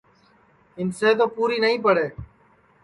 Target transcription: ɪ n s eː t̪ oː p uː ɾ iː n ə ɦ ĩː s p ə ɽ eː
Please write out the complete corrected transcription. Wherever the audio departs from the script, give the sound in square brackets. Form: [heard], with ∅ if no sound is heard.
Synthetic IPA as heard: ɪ n s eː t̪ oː p uː ɾ iː n ə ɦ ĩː [∅] p ə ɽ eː